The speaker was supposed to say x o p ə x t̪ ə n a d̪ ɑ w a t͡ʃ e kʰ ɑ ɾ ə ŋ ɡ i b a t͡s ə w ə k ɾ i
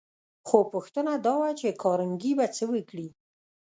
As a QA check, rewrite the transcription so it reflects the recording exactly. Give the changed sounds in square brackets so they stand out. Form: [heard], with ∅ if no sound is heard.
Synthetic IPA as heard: x o p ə x t̪ ə n a d̪ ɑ w a t͡ʃ e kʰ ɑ ɾ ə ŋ ɡ i b a t͡s ə w ə k [ɽ] i

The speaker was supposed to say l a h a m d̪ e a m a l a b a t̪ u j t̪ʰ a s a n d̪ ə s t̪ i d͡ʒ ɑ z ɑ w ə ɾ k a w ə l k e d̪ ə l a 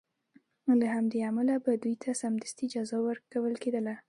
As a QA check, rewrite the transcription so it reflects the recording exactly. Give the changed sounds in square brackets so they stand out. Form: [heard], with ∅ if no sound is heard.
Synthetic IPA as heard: l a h a m d̪ e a m a l a b a [d̪] u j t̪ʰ a s a [m] d̪ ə s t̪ i d͡ʒ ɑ z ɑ w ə ɾ k a w ə l k e d̪ ə l a

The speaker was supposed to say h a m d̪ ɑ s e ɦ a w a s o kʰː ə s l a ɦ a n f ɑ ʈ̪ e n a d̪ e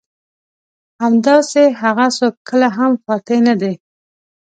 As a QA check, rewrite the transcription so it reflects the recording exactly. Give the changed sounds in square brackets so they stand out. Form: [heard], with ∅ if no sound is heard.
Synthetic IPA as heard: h a m d̪ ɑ s e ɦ a [ɣ] a s o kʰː ə [∅] l a ɦ a [m] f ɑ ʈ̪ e n a d̪ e

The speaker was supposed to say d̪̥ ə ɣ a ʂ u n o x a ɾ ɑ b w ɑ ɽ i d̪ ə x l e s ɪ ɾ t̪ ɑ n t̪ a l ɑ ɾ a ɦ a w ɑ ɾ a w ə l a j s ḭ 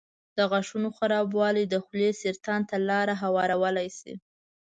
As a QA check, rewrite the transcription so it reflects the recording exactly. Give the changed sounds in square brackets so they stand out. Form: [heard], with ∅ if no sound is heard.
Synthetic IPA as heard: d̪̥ ə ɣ a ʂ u n o x a ɾ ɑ b w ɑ [l] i d̪ ə x l e s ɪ ɾ t̪ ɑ n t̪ a l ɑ ɾ a ɦ a w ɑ ɾ a w ə l a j s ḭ

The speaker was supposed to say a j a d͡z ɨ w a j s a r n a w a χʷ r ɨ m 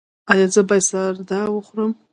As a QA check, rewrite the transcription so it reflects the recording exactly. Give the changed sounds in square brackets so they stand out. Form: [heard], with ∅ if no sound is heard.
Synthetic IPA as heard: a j a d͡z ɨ [b] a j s a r [d] a w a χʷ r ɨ m

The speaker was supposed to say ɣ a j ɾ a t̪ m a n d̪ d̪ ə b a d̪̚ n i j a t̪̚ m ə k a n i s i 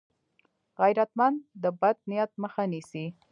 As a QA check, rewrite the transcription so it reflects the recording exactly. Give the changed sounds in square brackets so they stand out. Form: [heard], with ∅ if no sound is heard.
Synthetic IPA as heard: ɣ a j ɾ a t̪ m a n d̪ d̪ ə b a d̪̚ n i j a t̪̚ m ə [x] a n i s i

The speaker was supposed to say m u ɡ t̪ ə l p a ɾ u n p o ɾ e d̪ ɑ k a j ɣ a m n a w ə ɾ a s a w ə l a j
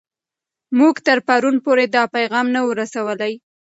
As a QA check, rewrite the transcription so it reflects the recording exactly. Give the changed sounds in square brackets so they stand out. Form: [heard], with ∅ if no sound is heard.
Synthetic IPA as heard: m u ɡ t̪ ə [ɾ] p a ɾ u n p o ɾ e d̪ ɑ [p] a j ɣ [ɑ] m n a w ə ɾ a s a w ə l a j

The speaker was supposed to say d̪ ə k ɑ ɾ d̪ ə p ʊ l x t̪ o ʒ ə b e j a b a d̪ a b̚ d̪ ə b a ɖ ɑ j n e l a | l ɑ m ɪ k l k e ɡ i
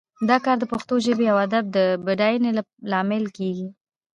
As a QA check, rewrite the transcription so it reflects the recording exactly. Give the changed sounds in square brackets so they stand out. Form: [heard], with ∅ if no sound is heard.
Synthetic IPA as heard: d̪ [ɑ] k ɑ ɾ d̪ ə p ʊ [∅] x t̪ o ʒ ə b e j a [w] a d̪ a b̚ d̪ ə b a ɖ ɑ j n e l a | l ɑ m ɪ [∅] l k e ɡ i

